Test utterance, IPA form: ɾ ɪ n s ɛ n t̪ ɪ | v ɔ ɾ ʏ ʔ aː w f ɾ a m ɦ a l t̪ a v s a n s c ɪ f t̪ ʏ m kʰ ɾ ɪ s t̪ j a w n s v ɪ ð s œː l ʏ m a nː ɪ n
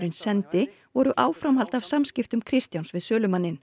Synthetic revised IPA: ɾ ɪ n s ɛ n t̪ ɪ | v ɔ ɾ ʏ ʔ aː w f ɾ a m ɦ a l t̪ a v s a m s c ɪ f t̪ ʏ m kʰ ɾ ɪ s t̪ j a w n s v ɪ ð s œː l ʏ m a nː ɪ n